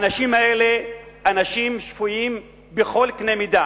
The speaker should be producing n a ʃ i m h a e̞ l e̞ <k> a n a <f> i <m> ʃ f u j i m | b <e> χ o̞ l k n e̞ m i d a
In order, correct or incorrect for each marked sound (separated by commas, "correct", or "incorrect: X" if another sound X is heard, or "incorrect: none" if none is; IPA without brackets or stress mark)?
incorrect: none, incorrect: ʃ, correct, correct